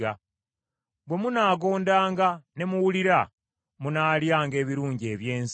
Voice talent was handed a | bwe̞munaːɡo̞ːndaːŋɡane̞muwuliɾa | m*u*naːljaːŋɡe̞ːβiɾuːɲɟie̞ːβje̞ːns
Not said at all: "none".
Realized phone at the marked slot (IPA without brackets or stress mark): u